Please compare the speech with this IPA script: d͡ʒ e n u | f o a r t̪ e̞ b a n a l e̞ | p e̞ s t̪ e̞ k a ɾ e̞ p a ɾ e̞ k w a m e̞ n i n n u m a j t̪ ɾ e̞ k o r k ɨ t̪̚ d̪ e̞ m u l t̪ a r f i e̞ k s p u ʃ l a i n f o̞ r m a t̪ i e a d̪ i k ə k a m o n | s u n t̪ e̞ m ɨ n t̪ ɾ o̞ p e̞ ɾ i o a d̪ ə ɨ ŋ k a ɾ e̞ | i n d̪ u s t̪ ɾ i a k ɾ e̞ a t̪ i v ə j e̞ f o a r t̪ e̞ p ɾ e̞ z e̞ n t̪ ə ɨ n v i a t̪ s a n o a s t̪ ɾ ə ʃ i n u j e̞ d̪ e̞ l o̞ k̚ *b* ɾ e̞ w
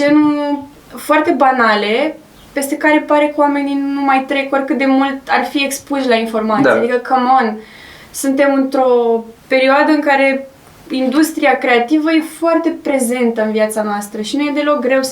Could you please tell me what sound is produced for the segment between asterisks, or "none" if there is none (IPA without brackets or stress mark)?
ɡ